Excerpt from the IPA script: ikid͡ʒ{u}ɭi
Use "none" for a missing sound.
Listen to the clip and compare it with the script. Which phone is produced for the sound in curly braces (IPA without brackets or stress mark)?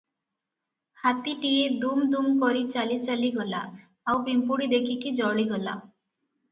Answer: ɔ